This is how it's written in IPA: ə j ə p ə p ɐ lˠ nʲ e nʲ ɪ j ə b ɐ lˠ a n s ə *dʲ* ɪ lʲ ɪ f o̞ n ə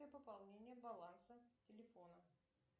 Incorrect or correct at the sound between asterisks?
incorrect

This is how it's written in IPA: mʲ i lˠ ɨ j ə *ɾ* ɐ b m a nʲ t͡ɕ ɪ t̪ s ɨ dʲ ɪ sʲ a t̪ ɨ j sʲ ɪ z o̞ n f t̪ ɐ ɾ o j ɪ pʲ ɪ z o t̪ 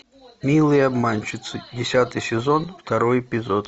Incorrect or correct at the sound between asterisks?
incorrect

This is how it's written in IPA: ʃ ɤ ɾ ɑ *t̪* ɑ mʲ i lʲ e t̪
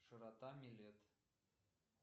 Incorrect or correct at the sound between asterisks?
correct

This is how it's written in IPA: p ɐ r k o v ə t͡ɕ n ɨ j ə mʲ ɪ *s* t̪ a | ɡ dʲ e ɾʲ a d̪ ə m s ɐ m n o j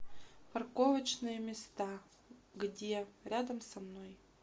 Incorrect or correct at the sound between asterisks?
correct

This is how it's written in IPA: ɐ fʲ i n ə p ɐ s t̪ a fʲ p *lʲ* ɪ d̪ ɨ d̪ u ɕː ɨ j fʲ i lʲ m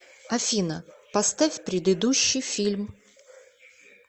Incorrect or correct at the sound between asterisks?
incorrect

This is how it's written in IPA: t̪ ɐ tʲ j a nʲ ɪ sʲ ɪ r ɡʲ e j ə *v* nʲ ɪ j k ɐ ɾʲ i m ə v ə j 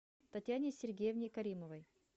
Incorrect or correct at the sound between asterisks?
correct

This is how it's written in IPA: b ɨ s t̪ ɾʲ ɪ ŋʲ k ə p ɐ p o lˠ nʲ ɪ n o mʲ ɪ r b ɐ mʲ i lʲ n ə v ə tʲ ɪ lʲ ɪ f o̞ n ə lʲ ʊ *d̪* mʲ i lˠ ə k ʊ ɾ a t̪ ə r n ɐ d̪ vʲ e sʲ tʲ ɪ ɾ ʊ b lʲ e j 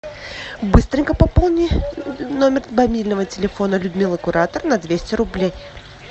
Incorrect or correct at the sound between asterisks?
correct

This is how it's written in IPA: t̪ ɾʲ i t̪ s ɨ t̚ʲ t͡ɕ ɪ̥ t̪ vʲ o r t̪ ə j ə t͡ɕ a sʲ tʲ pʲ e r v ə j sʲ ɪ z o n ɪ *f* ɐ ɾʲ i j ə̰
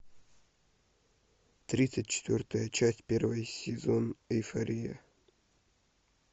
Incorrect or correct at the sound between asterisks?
correct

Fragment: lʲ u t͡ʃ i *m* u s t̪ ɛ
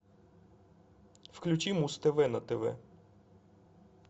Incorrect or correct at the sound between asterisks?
correct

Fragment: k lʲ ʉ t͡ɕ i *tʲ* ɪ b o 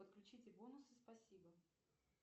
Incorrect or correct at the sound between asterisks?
correct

